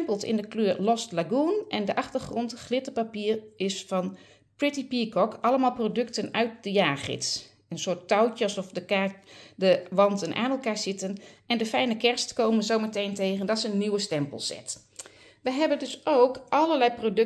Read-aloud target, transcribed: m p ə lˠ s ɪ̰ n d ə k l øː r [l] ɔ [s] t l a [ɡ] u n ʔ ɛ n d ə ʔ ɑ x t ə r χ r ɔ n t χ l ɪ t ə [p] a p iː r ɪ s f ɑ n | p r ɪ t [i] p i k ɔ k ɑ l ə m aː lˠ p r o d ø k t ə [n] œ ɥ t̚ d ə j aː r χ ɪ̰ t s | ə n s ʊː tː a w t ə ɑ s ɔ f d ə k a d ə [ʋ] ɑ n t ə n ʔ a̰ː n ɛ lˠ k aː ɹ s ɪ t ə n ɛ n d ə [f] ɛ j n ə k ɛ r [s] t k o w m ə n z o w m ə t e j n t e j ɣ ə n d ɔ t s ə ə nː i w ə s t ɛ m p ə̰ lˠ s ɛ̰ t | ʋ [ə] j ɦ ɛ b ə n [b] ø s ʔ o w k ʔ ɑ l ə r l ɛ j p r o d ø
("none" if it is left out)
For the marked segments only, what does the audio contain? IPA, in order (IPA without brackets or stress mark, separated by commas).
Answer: l, s, ɡ, p, i, n, ʋ, f, s, ə, d